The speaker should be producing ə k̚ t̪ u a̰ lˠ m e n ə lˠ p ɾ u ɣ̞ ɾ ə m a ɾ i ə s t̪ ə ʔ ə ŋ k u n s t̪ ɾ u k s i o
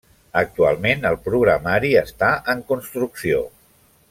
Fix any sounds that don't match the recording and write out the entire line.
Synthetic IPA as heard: ə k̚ t̪ u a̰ lˠ m e n ə lˠ p ɾ u ɣ̞ ɾ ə m a ɾ i ə s t̪ a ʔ ə ŋ k u n s t̪ ɾ u k s i o